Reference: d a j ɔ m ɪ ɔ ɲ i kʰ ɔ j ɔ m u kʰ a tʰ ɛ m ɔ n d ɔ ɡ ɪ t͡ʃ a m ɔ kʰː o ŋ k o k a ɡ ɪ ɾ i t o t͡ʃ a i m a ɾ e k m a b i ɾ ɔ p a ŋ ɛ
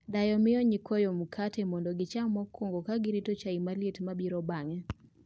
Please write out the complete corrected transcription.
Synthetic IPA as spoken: d a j ɔ m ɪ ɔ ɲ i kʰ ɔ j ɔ m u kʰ a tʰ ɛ m ɔ n d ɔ ɡ ɪ t͡ʃ a m ɔ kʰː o ŋ ɡ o k a ɡ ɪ ɾ i t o t͡ʃ a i m a l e t m a b i ɾ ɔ b a ŋ ɛ

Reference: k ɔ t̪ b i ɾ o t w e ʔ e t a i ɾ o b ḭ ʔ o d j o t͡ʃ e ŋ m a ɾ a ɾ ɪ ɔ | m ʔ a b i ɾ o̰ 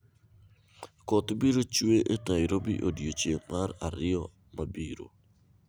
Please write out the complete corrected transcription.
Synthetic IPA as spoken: k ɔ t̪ b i ɾ o t͡ʃ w e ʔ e t a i ɾ o b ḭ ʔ o d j o t͡ʃ e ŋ m a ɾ a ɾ ɪ ɔ | m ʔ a b i ɾ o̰

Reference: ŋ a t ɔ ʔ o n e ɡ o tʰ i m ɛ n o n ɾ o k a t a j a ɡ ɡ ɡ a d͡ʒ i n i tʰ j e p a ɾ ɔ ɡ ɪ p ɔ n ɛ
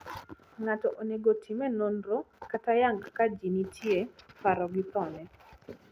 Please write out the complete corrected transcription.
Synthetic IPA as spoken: ŋ a t ɔ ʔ o n e ɡ o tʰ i m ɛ n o n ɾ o k a t a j a ŋ ɡ k a d͡ʒ i n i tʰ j e p a ɾ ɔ ɡ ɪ p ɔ n ɛ

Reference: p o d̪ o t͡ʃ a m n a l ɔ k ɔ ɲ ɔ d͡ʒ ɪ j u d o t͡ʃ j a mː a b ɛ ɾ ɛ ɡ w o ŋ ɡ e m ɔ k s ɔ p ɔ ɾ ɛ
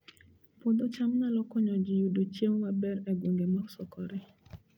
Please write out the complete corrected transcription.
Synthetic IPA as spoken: p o d̪ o t͡ʃ a m n a l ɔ k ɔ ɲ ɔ d͡ʒ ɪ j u d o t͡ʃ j e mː a b ɛ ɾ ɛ ɡ w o ŋ ɡ e m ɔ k s ɔ k ɔ ɾ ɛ

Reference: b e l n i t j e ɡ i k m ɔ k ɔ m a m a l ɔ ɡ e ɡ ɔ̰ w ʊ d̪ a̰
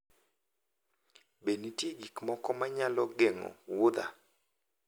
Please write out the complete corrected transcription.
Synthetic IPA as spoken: b e n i t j e ɡ i k m ɔ k ɔ m a ɲ a l ɔ ɡ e ŋ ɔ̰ w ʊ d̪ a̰

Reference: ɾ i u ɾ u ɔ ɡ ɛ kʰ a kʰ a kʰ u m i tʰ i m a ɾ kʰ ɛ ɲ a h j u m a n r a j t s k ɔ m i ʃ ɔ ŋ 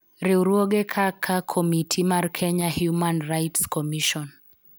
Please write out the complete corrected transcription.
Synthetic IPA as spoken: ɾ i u ɾ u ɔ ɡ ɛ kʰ a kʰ a kʰ ɔ m i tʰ i m a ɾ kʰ ɛ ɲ a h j u m a n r a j t s k ɔ m i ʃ ɔ n

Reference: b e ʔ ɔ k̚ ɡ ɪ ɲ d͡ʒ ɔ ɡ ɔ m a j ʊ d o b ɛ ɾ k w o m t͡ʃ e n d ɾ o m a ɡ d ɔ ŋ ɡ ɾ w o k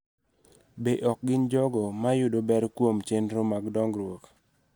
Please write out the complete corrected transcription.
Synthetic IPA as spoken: b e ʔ ɔ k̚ ɡ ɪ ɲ d͡ʒ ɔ ɡ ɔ m a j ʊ d o b ɛ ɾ k w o m t͡ʃ e n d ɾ o m a ɡ d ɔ ŋ ɡ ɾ w o k

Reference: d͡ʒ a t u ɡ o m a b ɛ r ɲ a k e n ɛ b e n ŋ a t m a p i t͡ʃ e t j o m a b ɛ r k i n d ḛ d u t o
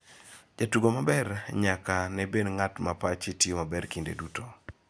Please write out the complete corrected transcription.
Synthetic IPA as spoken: d͡ʒ a t u ɡ o m a b ɛ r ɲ a k a n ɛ b e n ŋ a t m a p a t͡ʃ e t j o m a b ɛ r k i n d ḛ d u t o

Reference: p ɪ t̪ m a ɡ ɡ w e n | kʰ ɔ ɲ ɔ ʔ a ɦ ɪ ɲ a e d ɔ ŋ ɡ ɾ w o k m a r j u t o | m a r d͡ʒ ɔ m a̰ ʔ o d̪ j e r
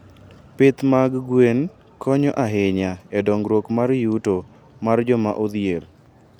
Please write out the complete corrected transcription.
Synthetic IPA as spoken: p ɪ t̪ m a ɡ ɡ w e n | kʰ ɔ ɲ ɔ ʔ a ɦ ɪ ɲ a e d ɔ ŋ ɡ ɾ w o k m a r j u t o | m a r d͡ʒ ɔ m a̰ ʔ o d̪ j e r

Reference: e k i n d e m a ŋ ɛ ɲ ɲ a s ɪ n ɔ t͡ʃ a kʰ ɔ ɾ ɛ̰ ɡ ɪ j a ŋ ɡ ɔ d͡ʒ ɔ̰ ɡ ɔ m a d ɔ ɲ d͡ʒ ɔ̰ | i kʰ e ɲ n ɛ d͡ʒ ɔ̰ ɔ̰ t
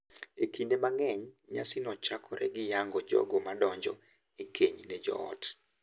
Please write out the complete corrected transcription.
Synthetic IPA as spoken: e k i n d e m a ŋ ɛ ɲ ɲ a s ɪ n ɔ t͡ʃ a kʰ ɔ ɾ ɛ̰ ɡ ɪ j a ŋ ɡ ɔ d͡ʒ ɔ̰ ɡ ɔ m a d ɔ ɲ d͡ʒ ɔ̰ | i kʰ e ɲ n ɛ d͡ʒ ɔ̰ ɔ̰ t

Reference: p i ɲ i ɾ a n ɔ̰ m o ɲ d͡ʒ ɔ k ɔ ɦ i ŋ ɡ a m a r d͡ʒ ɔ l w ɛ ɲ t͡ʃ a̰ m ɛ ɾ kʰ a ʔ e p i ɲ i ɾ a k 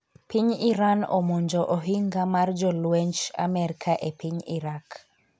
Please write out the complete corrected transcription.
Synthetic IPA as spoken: p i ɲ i ɾ a n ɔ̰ m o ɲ d͡ʒ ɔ ʔ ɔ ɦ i ŋ ɡ a m a r d͡ʒ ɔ l w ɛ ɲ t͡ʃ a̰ m ɛ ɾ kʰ a ʔ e p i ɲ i ɾ a k

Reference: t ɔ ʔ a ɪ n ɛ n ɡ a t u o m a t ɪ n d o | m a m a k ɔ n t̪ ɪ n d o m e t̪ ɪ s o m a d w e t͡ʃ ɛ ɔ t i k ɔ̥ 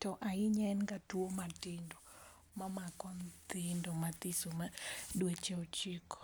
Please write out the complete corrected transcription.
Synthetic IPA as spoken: t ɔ ʔ a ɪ ɲ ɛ n ɡ a t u o m a t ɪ n d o | m a m a k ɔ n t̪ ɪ n d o m a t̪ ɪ s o m a d w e t͡ʃ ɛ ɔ t͡ʃ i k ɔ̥

